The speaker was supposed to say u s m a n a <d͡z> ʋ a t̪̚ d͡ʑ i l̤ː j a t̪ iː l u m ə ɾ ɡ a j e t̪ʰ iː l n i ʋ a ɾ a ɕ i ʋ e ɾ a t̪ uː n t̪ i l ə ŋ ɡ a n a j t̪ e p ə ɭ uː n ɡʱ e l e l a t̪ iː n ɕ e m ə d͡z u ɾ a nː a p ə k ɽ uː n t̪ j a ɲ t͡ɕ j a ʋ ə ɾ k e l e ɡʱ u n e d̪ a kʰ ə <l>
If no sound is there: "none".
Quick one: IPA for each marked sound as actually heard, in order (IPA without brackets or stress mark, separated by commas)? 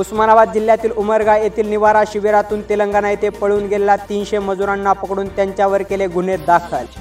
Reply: none, l